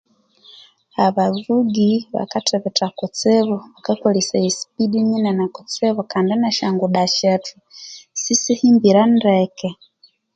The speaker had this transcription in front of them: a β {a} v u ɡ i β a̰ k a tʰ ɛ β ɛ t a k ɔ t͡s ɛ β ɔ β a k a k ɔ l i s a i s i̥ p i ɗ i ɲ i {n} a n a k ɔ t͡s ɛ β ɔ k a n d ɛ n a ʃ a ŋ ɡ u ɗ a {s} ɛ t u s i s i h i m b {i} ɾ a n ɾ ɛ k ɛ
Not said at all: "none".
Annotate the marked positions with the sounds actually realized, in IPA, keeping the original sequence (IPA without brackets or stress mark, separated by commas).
a, n, ʃ, i